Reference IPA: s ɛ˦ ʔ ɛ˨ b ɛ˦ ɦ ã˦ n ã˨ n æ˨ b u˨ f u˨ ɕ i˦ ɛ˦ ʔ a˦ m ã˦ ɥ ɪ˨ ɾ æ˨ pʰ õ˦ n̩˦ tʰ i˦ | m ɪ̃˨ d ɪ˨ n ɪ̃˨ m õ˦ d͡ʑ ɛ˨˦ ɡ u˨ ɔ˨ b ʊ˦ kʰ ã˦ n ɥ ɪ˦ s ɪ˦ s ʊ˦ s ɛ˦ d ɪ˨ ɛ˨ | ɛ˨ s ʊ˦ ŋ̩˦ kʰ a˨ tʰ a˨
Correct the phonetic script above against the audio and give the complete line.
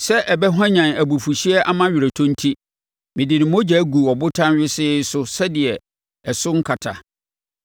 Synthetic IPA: s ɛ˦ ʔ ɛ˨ b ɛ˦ ɦ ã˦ ɲ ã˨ n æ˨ b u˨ f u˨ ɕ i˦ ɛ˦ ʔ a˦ m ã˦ ɥ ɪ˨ ɾ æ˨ tʰ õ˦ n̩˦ tʰ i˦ | m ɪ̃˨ d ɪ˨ n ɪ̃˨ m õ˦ d͡ʑ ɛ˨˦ ɡ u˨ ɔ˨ b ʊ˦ tʰ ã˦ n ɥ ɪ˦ s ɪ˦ s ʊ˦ s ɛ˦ d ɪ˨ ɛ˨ | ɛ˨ s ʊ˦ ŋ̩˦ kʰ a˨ tʰ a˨